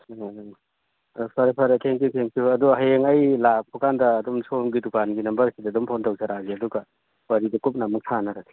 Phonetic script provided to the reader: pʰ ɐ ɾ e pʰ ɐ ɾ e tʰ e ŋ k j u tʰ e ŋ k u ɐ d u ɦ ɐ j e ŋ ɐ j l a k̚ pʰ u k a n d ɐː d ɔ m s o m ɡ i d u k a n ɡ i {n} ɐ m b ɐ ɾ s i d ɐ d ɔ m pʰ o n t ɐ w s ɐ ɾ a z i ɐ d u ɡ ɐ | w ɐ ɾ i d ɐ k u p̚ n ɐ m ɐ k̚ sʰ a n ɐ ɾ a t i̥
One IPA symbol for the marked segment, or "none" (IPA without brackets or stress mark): n